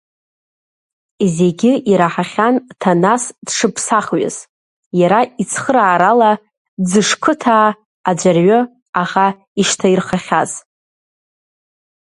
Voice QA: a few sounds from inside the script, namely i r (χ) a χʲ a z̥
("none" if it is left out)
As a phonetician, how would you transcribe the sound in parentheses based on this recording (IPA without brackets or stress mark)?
χ